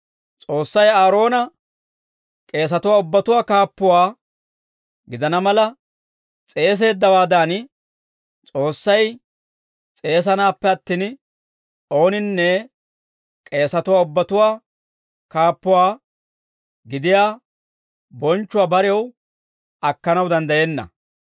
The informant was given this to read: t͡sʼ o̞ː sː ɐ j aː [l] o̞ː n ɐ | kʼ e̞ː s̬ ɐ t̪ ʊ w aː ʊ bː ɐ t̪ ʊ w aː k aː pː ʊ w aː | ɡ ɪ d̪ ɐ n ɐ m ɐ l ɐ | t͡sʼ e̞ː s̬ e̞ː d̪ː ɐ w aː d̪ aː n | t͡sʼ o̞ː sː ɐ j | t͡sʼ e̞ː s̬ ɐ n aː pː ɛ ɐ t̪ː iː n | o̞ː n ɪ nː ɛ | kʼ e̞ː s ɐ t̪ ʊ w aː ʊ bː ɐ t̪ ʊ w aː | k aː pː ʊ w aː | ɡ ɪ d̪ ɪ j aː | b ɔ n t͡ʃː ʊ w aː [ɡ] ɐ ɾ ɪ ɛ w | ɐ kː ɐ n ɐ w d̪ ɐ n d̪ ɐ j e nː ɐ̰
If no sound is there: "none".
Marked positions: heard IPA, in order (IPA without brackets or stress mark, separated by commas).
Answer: ɾ, b